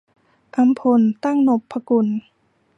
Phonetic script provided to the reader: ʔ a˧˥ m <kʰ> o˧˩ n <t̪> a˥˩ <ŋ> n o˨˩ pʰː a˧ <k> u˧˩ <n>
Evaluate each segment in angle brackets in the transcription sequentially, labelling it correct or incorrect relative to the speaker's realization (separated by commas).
incorrect, correct, correct, correct, correct